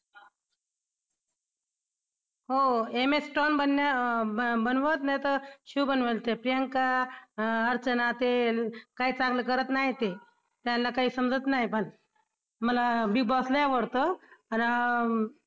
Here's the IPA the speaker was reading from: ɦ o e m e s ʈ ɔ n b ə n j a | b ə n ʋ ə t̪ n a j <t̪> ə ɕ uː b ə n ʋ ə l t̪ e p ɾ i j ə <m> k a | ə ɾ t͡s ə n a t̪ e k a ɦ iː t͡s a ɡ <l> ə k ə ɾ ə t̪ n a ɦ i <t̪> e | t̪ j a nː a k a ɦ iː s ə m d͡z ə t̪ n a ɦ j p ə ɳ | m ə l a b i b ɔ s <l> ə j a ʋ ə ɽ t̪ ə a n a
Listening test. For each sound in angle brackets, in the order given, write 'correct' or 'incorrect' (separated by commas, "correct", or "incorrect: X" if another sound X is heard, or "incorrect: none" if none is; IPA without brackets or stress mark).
correct, incorrect: ŋ, correct, correct, correct